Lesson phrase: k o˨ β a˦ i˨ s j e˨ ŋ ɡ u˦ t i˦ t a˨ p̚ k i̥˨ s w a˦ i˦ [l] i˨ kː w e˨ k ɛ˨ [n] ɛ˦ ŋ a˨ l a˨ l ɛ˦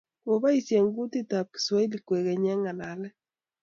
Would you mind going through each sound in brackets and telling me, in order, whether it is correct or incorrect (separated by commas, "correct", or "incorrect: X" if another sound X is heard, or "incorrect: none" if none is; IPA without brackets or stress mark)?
correct, incorrect: ɲ